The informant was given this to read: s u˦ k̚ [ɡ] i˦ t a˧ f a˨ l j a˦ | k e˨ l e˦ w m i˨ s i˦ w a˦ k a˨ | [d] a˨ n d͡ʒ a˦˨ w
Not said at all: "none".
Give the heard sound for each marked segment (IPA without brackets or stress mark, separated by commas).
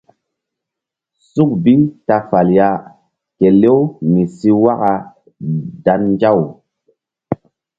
b, d